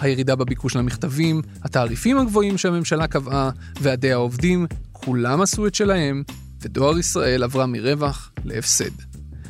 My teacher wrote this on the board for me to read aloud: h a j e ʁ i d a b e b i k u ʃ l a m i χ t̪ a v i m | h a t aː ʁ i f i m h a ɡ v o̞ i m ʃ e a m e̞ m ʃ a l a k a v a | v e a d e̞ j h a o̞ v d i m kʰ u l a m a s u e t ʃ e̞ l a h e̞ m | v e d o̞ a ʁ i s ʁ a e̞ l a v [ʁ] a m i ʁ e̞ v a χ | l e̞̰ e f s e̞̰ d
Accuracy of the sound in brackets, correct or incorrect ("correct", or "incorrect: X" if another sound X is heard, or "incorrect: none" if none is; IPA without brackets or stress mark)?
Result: correct